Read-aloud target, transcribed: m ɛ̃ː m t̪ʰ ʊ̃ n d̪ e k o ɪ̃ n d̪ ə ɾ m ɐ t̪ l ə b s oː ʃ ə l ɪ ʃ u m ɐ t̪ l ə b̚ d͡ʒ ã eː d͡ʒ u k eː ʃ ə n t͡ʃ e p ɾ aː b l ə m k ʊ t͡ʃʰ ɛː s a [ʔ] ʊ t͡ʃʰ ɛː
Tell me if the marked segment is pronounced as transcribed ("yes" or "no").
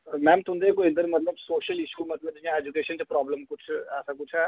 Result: no